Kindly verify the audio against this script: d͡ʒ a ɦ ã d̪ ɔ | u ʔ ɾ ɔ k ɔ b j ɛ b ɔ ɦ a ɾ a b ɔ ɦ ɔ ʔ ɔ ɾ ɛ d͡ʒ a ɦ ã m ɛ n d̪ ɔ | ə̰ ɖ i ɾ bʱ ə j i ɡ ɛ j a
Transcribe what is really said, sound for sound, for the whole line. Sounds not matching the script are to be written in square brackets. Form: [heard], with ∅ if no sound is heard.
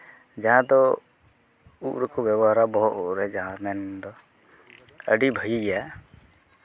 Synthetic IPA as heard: d͡ʒ a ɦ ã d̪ ɔ | u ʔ ɾ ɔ k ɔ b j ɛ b ɔ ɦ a ɾ a b ɔ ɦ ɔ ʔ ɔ ɾ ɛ d͡ʒ a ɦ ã m ɛ n d̪ ɔ | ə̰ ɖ i [∅] bʱ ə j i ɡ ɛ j a